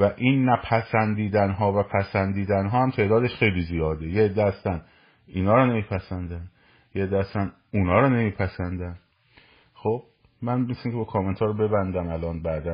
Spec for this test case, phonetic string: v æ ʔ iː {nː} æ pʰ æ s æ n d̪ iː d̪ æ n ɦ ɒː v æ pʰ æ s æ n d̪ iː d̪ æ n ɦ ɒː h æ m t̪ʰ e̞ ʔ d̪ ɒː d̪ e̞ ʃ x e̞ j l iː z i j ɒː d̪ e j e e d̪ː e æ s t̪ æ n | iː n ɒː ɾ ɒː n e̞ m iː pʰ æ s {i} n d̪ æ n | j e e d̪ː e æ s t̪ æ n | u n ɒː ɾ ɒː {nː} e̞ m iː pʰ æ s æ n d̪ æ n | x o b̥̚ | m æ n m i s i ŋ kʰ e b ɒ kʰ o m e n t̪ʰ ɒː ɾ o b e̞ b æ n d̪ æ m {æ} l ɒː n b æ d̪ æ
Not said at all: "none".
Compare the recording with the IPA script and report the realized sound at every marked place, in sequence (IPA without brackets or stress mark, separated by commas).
nː, æ, n, æ